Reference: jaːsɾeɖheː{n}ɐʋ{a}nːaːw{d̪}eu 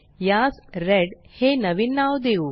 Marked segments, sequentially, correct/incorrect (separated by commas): correct, incorrect, correct